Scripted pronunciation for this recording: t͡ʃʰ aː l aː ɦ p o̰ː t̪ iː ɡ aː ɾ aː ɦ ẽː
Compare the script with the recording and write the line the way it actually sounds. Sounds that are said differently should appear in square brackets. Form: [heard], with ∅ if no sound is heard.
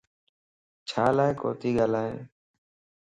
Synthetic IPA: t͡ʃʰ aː l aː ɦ [k] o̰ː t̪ iː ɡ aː [l] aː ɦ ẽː